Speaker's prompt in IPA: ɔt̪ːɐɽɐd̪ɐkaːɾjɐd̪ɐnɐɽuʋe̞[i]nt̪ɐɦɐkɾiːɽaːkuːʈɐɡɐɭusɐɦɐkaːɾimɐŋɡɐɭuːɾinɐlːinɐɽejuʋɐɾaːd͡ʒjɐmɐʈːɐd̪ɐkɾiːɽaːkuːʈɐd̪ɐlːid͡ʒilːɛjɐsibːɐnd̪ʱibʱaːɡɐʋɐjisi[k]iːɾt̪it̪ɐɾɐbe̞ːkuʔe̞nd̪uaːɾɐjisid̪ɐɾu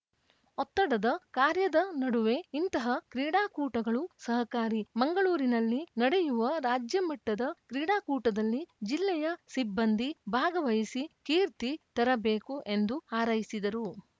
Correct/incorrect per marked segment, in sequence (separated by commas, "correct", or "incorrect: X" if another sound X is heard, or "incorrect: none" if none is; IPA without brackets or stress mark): correct, correct